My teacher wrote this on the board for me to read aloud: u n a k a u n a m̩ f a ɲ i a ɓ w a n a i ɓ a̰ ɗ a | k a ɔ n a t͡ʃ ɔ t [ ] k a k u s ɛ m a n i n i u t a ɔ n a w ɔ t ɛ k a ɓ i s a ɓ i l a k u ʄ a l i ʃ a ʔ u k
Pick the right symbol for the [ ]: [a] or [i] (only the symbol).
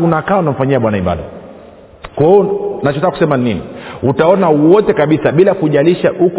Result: a